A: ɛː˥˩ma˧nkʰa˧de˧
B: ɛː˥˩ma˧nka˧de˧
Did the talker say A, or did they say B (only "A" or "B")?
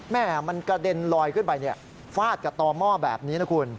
B